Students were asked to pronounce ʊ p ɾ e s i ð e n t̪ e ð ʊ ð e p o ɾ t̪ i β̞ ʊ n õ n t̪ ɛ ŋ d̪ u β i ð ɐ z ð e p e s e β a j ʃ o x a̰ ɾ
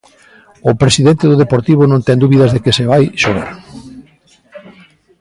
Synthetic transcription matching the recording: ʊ p ɾ e s i ð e n t̪ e ð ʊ ð e p o ɾ t̪ i β̞ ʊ n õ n t̪ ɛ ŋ d̪ u β i ð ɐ z ð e k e s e β a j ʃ o ɣ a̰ ɾ